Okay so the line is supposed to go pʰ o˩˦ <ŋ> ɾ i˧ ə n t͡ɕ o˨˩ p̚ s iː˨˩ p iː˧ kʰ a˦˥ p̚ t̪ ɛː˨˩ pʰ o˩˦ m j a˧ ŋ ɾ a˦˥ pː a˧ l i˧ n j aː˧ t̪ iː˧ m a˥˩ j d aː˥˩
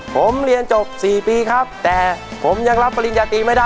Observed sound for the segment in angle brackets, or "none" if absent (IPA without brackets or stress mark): m